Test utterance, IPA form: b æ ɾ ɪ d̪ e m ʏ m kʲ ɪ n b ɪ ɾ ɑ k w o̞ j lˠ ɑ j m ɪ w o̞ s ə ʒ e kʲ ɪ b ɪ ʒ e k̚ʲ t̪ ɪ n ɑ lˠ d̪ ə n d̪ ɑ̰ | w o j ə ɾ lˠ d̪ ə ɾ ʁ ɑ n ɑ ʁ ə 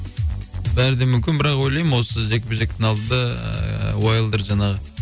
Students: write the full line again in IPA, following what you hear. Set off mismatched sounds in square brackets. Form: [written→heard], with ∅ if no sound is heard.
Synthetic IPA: b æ ɾ ɪ d̪ e m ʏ m kʲ ɪ n b ɪ ɾ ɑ [k→q] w o̞ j lˠ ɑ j m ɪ w o̞ s ə ʒ e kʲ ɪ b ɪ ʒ e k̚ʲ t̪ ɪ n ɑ lˠ d̪ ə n d̪ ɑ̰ | w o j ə [ɾ→∅] lˠ d̪ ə ɾ [ʁ→ʒ] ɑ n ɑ ʁ ə